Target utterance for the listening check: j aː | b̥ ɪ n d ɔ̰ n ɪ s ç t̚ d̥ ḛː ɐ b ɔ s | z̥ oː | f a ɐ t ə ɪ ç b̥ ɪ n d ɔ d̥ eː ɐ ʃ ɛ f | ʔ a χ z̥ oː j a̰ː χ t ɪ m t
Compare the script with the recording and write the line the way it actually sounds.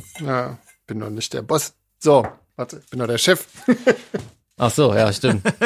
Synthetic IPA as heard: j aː | b̥ ɪ n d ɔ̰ n ɪ ç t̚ d̥ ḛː ɐ b ɔ s | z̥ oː | v a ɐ t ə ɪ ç b̥ ɪ n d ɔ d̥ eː ɐ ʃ ɛ f | ʔ a χ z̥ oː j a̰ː ʃ t ɪ m t